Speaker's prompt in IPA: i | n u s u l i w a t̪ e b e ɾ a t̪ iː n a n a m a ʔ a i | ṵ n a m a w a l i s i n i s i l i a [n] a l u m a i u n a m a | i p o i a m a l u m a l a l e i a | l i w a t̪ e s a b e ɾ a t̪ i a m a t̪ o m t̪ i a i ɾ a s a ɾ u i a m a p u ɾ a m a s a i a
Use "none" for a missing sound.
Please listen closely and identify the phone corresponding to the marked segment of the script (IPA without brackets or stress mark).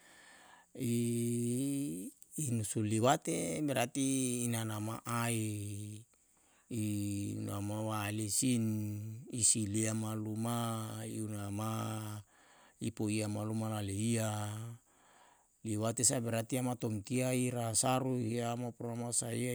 m